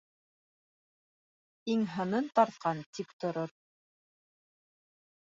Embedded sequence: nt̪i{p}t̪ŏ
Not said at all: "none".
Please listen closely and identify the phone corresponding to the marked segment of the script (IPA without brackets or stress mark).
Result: p